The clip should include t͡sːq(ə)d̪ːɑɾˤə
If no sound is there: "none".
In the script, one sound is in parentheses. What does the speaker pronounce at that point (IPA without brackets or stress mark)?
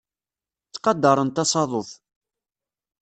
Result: ɑ